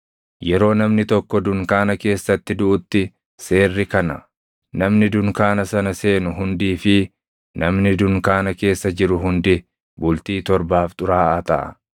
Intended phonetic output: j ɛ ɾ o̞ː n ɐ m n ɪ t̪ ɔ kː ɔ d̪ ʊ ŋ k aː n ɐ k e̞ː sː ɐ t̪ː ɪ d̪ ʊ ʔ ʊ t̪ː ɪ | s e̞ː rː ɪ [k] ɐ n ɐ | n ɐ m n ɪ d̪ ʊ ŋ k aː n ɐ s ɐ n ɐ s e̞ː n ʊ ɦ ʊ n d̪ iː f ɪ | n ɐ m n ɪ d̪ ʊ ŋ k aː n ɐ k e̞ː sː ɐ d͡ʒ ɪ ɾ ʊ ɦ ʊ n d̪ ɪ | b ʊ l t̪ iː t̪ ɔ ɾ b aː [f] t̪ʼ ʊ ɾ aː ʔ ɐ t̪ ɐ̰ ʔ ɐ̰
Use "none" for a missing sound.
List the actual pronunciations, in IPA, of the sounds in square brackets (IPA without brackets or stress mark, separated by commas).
k, f